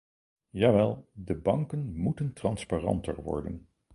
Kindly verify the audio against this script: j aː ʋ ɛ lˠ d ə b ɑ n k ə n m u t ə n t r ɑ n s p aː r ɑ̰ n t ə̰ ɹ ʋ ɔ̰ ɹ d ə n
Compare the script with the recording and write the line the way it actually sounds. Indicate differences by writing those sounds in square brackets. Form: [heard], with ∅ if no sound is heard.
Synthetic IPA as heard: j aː ʋ ɛ lˠ d ə b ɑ [ŋ] k ə n m u t ə n t r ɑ n s p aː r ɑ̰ n t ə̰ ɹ ʋ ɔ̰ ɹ d ə n

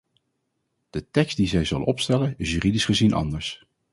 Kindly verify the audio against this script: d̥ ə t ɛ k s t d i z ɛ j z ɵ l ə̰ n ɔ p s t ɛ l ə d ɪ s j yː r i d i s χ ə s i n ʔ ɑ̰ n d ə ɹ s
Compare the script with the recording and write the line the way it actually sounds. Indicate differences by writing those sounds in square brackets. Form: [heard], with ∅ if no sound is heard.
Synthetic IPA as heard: d̥ ə t ɛ k s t d i z ɛ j z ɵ l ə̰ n ɔ p s t ɛ l ə [n] ɪ s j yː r i d i s χ ə [z] i n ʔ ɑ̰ n d ə ɹ s

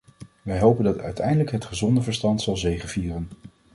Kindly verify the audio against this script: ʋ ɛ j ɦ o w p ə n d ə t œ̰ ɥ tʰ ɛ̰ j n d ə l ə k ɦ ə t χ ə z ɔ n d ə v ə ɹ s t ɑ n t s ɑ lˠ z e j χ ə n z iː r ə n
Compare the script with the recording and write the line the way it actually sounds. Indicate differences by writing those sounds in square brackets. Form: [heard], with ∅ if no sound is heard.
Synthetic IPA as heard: ʋ ɛ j ɦ o w p ə n d [ɑ] t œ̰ ɥ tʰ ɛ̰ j n d ə l ə k ɦ ə t χ ə z ɔ n d ə v ə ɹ s t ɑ n t s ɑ lˠ z e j χ ə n [v] iː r ə n

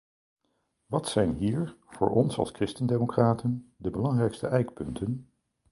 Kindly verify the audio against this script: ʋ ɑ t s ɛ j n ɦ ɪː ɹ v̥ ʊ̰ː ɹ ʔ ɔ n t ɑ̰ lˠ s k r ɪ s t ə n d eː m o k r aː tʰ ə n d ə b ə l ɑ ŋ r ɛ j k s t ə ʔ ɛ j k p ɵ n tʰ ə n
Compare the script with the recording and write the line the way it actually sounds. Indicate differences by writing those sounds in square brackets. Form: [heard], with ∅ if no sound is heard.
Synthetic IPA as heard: ʋ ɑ t s ɛ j n ɦ [iː] ɹ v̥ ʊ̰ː ɹ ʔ ɔ n [s] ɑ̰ lˠ s k r ɪ s t ə n d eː m o k r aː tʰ ə n d ə b ə l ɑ ŋ r ɛ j k s t ə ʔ ɛ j k p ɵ n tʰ ə n

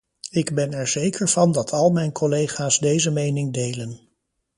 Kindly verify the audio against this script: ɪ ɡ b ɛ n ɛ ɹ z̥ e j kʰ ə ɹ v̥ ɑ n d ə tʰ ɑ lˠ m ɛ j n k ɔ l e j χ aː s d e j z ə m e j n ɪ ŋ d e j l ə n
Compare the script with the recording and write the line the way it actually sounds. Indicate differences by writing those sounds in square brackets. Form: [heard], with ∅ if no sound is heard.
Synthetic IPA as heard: ɪ ɡ b ɛ n ɛ ɹ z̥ e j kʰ ə ɹ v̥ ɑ n d [ɑ] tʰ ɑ lˠ m ɛ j n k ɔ l e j χ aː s d e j z ə m e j n ɪ ŋ d e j l ə n

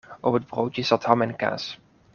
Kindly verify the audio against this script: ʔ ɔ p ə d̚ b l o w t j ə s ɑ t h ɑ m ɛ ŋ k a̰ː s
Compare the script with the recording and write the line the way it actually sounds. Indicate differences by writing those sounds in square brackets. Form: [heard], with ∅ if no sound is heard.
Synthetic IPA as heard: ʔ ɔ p ə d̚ b [r] o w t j ə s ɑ t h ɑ m ɛ [n] k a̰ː s

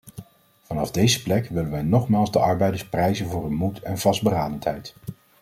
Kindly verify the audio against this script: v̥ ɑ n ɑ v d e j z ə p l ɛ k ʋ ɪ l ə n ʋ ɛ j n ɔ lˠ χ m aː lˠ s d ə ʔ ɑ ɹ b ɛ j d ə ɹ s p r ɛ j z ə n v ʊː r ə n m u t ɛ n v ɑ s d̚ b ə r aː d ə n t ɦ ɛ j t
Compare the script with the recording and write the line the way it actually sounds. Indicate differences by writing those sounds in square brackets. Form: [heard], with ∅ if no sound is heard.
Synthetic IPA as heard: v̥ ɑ n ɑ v d e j z ə p l ɛ k ʋ ɪ l ə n ʋ ɛ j n ɔ [∅] χ m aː lˠ [z] d ə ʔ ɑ ɹ b ɛ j d ə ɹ s p r ɛ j z ə n v ʊː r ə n m u t ɛ n v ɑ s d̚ b ə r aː d ə n t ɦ ɛ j t

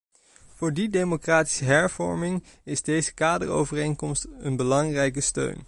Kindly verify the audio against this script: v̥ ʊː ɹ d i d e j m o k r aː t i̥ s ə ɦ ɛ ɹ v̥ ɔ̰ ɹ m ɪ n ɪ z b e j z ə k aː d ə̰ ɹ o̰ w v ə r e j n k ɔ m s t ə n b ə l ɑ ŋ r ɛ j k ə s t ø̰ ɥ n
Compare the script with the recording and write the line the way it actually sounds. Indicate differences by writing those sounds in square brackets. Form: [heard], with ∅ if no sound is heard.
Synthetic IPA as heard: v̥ ʊː ɹ d i d e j m o k r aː t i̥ s ə ɦ ɛ ɹ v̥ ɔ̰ ɹ m ɪ [ŋ] ɪ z [d] e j z ə k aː d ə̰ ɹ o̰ w v ə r e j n k ɔ m s t ə n b ə l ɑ ŋ r ɛ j k ə s t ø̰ ɥ n

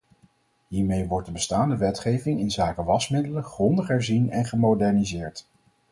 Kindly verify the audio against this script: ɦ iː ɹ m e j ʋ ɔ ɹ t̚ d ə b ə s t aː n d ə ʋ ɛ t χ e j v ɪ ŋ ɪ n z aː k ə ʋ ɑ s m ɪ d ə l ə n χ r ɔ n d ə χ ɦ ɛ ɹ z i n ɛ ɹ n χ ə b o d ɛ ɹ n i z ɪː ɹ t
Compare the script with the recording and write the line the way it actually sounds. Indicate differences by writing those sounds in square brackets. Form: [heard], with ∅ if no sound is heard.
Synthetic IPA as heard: ɦ iː ɹ m e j ʋ ɔ ɹ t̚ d ə b ə s t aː n d ə ʋ ɛ t χ e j v ɪ ŋ ɪ n z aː k ə ʋ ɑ s m ɪ d ə l ə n χ r ɔ n d ə χ ɦ ɛ ɹ z i n ɛ [∅] n χ ə [m] o d ɛ ɹ n i z ɪː ɹ t

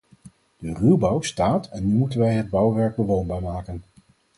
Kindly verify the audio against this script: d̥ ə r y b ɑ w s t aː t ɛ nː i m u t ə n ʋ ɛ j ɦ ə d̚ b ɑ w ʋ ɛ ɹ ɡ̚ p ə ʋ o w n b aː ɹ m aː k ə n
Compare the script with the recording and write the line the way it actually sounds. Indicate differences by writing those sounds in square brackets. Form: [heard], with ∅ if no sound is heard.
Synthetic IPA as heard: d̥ ə r y b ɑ w s t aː t ɛ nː [y] m u t ə n ʋ ɛ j ɦ ə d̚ b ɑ w ʋ ɛ ɹ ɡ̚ [b] ə ʋ o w n b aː ɹ m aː k ə n

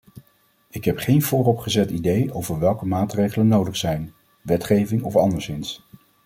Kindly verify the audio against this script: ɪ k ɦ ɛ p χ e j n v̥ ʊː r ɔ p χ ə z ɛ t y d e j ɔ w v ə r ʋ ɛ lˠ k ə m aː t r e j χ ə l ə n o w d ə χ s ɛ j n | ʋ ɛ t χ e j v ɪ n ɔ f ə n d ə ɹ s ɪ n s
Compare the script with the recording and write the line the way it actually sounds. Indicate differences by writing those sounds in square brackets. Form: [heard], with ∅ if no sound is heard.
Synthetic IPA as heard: ɪ k ɦ ɛ p χ e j n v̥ ʊː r ɔ p χ ə z ɛ t [i] d e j [o] w v ə [ɹ] ʋ ɛ lˠ k ə m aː t r e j χ ə l ə n o w d ə χ s ɛ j n | ʋ ɛ t χ e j v ɪ [ŋ] ɔ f [ɑ] n d ə ɹ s ɪ n s

